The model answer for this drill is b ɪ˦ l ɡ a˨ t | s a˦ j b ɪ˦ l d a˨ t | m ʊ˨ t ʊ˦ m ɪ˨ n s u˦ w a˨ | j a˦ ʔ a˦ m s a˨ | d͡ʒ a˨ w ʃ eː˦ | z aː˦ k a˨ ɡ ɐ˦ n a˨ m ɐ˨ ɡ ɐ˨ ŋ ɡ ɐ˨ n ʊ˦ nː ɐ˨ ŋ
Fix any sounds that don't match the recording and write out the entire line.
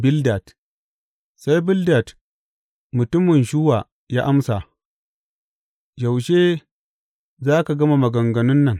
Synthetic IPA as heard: b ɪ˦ l d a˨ t | s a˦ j b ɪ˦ l d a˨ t | m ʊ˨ t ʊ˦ m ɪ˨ n ʃ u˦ w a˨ | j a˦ ʔ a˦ m s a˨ | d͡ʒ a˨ w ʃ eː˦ | z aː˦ k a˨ ɡ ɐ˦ m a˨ m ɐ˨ ɡ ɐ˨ ŋ ɡ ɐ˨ n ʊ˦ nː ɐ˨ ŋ